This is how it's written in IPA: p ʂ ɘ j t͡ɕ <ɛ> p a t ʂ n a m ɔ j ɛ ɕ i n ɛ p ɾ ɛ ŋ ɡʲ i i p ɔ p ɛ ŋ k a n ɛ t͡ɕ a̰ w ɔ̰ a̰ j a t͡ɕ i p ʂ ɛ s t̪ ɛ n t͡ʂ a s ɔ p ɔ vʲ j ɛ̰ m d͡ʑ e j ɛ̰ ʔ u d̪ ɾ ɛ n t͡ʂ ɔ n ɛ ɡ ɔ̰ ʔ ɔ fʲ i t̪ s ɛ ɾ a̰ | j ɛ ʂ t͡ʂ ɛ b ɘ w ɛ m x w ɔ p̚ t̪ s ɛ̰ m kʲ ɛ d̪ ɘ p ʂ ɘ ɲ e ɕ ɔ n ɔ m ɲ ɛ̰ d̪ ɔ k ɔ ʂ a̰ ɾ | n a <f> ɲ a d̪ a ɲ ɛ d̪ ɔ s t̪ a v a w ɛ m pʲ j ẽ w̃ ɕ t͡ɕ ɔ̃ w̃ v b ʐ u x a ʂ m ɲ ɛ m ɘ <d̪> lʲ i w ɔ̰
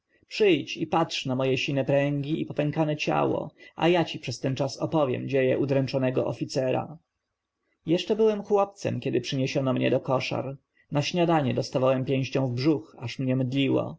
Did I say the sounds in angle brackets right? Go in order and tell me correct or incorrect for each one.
incorrect: i, incorrect: ɕ, correct

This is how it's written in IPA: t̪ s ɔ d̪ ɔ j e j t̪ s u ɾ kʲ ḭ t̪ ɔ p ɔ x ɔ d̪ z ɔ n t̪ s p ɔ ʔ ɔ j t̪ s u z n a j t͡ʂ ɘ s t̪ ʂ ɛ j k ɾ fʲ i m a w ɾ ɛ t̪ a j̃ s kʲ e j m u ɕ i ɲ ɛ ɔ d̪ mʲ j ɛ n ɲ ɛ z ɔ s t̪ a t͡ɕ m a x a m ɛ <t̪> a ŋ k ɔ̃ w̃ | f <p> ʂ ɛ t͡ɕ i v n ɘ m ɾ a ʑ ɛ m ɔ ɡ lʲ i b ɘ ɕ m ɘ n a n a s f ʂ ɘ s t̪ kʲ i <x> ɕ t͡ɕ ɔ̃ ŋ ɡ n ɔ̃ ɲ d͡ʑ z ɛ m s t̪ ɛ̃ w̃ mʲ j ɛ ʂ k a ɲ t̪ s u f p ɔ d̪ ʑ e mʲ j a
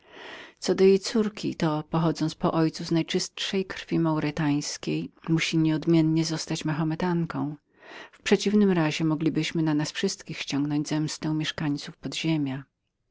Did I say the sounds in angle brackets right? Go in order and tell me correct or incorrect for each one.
correct, correct, correct

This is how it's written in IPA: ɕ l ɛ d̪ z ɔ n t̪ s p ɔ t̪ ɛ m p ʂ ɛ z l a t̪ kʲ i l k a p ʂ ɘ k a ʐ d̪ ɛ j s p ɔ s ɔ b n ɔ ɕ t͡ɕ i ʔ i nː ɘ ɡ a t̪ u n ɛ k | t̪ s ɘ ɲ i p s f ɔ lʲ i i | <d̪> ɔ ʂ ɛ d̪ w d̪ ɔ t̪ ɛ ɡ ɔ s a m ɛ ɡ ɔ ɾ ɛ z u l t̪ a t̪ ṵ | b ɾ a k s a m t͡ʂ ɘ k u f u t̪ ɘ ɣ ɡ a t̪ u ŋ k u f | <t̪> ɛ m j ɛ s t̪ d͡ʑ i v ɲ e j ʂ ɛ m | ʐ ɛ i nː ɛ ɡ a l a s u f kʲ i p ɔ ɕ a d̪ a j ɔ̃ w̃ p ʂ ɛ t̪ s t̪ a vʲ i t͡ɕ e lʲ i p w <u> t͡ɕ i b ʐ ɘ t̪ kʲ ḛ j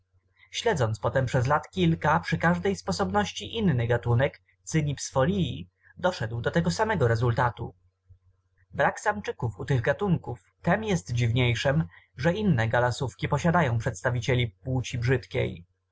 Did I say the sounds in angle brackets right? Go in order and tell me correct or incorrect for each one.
correct, correct, correct

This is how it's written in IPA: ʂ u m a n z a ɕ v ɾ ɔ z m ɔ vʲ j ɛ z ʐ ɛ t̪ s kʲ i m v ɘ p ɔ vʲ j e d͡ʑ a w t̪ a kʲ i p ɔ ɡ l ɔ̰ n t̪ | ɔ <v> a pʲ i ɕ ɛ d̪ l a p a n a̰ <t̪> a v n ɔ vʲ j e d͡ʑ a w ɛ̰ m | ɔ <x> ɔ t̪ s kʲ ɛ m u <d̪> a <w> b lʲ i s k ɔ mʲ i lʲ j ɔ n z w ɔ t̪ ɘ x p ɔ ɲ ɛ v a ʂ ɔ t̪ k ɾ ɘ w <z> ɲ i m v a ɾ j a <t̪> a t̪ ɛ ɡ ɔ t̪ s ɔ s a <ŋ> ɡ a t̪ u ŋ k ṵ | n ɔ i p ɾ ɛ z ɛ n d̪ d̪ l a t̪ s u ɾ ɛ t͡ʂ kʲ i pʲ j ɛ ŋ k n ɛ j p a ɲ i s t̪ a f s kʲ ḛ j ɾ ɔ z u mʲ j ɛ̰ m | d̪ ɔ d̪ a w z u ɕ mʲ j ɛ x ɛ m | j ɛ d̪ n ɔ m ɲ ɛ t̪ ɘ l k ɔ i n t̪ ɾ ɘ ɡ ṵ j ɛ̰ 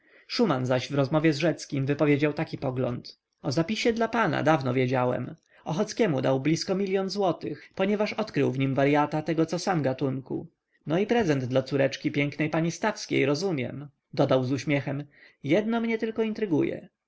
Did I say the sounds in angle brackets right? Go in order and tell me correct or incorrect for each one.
incorrect: z, incorrect: d̪, correct, correct, correct, incorrect: v, correct, incorrect: m

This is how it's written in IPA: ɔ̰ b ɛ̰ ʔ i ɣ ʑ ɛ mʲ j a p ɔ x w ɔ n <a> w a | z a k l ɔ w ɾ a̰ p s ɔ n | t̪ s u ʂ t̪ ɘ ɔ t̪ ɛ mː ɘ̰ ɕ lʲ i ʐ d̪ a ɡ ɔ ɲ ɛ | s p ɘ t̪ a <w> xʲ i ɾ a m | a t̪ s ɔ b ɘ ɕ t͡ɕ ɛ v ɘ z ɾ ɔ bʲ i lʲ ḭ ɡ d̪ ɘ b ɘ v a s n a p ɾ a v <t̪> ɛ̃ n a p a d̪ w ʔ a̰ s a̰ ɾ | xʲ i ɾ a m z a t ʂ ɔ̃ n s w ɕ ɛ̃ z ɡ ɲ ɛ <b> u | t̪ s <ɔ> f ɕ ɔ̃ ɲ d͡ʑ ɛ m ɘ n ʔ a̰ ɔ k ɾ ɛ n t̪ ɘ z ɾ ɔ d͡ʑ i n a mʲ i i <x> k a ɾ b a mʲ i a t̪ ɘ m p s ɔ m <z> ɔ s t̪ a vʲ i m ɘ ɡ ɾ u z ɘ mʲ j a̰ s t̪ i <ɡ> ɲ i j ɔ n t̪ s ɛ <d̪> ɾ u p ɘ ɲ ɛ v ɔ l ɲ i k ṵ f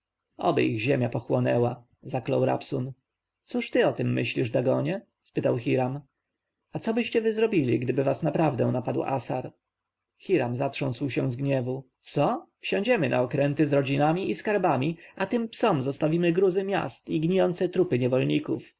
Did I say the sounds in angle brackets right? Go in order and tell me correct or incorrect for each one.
incorrect: ɛ, correct, incorrect: d̪, incorrect: v, correct, incorrect: s, correct, correct, incorrect: t̪

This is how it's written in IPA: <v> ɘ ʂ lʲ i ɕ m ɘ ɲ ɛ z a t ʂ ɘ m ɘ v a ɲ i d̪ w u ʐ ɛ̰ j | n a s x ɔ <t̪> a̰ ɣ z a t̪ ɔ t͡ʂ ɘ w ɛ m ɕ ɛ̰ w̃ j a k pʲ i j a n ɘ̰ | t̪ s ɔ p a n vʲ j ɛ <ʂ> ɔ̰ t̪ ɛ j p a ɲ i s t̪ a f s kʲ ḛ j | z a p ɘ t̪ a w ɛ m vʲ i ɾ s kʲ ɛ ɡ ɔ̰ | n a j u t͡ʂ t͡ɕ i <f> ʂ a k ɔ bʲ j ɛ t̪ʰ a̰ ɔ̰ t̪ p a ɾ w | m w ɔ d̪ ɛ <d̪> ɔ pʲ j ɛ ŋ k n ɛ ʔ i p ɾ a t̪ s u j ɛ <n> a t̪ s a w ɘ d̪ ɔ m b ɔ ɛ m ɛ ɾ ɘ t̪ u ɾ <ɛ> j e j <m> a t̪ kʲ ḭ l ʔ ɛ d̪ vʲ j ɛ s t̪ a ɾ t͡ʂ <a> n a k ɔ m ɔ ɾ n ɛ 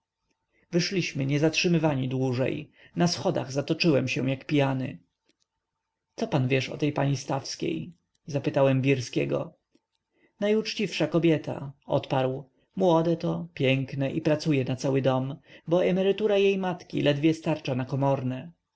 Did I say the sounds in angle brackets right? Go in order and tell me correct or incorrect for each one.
correct, incorrect: d̪, correct, correct, incorrect: t̪, correct, incorrect: a, correct, correct

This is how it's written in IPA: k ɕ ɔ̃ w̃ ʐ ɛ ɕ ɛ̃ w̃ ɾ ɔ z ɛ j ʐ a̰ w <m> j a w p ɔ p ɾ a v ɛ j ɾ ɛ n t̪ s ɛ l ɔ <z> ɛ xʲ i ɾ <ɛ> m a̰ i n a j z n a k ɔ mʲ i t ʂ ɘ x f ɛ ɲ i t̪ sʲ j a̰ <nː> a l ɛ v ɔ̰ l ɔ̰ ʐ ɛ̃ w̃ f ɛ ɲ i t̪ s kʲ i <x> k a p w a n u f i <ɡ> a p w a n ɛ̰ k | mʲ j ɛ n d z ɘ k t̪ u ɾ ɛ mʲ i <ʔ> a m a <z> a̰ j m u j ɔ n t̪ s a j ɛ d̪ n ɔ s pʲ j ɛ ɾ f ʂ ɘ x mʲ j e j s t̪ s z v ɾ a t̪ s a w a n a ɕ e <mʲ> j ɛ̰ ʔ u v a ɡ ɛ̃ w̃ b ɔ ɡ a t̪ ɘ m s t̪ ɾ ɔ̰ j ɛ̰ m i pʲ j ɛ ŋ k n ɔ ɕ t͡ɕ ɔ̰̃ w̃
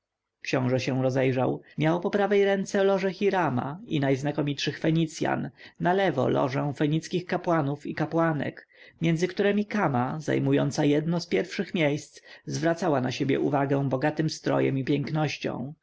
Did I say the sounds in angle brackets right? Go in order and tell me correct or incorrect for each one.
correct, incorrect: ʐ, incorrect: a, correct, correct, incorrect: k, incorrect: k, correct, incorrect: bʲ

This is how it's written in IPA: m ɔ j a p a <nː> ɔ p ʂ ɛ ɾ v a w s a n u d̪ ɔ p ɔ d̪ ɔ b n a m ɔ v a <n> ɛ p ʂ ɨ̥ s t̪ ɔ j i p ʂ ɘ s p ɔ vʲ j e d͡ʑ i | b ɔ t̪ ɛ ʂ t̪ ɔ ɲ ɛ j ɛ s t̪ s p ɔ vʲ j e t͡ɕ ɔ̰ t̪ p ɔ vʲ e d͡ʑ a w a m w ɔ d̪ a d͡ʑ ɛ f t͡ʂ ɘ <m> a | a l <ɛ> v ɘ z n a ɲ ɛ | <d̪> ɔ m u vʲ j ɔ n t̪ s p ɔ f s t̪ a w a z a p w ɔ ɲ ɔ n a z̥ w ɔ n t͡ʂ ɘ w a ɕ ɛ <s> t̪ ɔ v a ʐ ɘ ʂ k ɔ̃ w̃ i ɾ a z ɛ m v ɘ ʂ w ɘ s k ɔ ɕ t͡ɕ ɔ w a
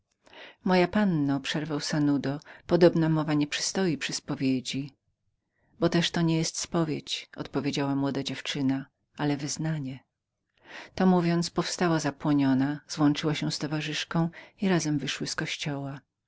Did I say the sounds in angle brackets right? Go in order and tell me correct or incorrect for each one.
correct, incorrect: ɲ, incorrect: n, correct, incorrect: t̪, correct

